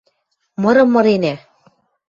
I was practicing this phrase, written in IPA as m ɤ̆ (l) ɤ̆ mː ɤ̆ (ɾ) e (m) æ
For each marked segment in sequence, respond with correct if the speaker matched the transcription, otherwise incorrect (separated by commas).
incorrect, correct, incorrect